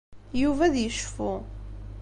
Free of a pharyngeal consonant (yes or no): yes